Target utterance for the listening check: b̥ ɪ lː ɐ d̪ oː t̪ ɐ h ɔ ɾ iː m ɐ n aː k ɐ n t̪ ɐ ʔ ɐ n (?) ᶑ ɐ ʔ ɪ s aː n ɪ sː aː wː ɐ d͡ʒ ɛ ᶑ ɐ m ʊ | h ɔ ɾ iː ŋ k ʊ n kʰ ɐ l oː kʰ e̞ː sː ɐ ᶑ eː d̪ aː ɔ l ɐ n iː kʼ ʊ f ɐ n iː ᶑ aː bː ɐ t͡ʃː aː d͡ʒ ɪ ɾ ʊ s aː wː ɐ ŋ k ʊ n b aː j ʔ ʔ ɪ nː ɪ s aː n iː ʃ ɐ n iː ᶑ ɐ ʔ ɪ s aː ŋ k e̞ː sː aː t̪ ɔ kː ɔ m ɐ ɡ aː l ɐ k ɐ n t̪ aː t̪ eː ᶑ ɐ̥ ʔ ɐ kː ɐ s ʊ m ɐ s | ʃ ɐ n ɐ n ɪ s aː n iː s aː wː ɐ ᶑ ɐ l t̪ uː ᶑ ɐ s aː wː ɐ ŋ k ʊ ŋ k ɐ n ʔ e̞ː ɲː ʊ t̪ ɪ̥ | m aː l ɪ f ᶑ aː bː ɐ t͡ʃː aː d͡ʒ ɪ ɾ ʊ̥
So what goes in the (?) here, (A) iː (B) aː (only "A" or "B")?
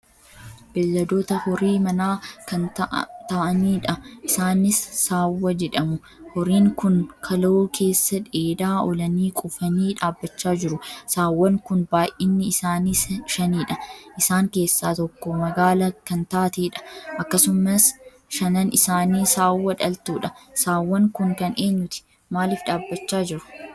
A